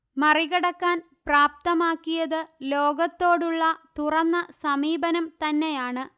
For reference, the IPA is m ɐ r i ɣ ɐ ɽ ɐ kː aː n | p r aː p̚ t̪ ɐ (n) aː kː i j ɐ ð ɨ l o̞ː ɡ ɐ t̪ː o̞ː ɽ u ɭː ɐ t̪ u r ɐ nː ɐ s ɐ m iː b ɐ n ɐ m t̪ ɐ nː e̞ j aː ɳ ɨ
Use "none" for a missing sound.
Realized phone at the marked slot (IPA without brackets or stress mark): m